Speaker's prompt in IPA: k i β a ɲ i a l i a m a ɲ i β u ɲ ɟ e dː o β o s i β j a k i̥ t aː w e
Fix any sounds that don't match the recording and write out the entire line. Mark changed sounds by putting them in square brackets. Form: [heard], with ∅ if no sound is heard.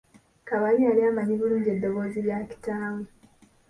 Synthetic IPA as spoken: k [a] β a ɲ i a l i a m a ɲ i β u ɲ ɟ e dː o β o [z] i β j a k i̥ t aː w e